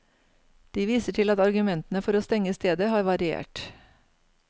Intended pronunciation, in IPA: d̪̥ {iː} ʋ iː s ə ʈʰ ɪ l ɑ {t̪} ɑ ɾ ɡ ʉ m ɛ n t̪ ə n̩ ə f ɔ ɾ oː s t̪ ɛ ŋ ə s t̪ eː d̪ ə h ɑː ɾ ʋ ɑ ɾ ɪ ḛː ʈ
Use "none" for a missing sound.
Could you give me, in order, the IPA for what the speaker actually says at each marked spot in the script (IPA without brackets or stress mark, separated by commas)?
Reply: iː, t̪